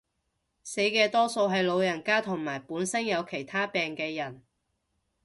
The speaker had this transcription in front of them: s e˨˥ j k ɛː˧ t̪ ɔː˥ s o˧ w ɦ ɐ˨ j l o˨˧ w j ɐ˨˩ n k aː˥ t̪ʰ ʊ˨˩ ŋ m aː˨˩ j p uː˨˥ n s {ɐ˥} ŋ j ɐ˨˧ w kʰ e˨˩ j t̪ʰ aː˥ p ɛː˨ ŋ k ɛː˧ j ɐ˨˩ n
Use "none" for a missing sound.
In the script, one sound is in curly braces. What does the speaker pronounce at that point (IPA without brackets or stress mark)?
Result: ɐ˥